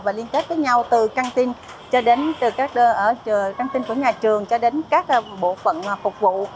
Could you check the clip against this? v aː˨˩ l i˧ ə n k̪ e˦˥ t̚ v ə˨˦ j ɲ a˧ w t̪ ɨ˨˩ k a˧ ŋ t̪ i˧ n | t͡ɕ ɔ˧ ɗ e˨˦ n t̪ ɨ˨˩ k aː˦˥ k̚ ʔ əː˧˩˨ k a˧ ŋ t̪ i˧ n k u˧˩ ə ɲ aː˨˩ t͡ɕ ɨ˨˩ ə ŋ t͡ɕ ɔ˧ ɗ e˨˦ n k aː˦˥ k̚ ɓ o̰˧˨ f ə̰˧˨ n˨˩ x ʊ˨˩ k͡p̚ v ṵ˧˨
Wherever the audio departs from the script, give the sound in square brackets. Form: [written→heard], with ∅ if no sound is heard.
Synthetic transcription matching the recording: v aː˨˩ l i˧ ə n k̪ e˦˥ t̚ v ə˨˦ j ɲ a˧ w t̪ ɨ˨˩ k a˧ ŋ t̪ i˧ n | t͡ɕ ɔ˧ ɗ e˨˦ n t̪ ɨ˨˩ k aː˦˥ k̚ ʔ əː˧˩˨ k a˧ ŋ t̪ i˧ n k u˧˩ ə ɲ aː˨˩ t͡ɕ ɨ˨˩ ə ŋ t͡ɕ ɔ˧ ɗ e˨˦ n k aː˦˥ k̚ ɓ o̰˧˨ f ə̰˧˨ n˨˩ [x→f] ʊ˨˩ k͡p̚ v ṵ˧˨